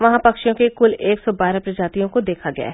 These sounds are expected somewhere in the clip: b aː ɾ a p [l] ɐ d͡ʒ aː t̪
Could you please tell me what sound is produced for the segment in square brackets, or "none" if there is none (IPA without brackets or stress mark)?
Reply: ɾ